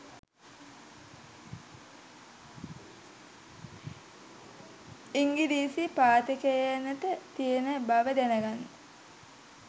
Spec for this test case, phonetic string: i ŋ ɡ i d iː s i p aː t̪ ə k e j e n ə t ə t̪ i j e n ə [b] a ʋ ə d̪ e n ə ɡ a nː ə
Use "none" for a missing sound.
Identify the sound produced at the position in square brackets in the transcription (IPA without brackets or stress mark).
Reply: b